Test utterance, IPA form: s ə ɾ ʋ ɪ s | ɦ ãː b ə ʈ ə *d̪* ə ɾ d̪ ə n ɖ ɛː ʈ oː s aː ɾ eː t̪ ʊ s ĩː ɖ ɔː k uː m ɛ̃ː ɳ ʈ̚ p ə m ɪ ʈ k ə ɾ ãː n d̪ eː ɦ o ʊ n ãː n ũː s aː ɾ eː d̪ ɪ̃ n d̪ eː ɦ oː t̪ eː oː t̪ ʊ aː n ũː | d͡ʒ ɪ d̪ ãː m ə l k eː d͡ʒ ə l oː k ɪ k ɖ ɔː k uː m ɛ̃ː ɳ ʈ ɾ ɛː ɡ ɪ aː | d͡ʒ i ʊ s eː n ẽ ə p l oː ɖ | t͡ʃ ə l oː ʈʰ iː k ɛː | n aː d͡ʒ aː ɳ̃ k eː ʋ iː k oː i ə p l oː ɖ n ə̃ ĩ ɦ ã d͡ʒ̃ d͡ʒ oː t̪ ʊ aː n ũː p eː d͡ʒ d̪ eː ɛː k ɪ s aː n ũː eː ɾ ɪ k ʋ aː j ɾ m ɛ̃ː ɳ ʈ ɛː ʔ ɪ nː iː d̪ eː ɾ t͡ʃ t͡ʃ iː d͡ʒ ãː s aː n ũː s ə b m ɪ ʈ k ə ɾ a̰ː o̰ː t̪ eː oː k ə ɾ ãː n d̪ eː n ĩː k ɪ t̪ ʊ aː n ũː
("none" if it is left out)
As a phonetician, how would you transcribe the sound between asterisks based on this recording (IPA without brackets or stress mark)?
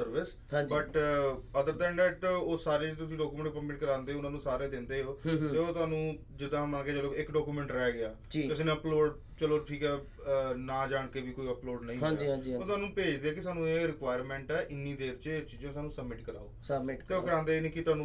d̪